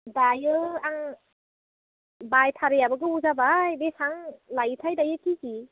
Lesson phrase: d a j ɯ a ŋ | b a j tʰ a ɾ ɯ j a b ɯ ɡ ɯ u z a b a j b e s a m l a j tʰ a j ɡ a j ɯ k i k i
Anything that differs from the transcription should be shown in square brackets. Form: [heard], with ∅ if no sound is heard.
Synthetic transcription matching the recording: d a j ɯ a ŋ | b a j tʰ a ɾ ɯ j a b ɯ ɡ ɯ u z a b a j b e s a [ŋ] l a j tʰ a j [d] a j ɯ k i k i